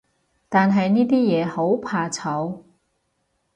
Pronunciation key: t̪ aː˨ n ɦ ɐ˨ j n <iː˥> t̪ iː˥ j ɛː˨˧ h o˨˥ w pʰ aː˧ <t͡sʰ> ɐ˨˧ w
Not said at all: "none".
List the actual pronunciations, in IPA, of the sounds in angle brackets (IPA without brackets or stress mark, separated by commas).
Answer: iː˥, t͡sʰ